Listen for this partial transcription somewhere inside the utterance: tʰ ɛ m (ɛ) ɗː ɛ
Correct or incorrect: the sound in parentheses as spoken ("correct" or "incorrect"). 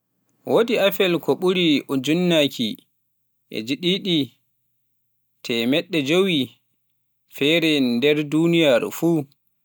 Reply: correct